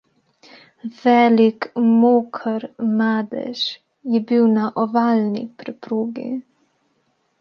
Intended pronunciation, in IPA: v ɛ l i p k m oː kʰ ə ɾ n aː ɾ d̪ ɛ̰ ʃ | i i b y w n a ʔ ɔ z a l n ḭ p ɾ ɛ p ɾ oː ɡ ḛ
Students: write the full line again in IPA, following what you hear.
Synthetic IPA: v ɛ l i k m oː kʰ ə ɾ m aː d̪ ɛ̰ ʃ | j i b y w n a ʔ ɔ v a l n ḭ p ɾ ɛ p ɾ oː ɡ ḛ